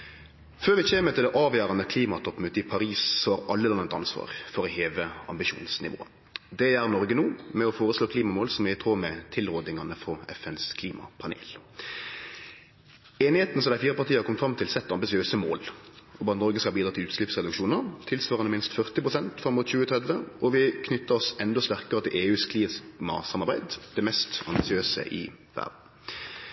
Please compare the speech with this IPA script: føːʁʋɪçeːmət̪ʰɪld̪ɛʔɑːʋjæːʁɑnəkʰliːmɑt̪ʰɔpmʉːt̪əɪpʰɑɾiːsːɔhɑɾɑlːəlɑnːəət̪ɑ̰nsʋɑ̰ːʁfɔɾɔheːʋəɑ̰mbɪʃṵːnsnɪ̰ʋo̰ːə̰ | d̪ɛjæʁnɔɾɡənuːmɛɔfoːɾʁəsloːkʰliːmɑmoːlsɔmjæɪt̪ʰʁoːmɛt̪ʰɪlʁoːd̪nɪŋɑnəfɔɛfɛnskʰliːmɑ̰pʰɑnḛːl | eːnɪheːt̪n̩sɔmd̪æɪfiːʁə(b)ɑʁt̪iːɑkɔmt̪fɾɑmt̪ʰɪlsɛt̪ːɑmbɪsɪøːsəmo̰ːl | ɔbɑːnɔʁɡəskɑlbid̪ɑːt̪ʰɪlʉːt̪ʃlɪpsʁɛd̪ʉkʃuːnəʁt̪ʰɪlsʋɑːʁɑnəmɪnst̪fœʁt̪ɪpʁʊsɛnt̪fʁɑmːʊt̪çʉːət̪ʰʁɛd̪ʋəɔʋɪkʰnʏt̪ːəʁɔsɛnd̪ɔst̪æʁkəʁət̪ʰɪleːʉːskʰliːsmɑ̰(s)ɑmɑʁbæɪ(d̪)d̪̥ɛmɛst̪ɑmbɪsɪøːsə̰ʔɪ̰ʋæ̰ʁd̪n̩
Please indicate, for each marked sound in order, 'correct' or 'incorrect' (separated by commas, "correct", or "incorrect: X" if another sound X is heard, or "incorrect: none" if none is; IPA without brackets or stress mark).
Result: incorrect: p, correct, correct